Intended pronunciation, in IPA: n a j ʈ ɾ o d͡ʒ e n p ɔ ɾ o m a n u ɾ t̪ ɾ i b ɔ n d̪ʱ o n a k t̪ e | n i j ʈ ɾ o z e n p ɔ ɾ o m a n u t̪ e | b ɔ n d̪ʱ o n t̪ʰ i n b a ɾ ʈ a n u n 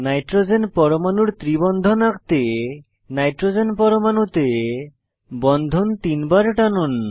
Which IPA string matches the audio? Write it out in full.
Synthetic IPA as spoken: n a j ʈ ɾ o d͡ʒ e n p ɔ ɾ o m a n u ɾ t̪ ɾ i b ɔ n d̪ʱ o n a k t̪ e | n a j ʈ ɾ o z e n p ɔ ɾ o m a n u t̪ e | b ɔ n d̪ʱ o n t̪ i n b a ɾ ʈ a n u n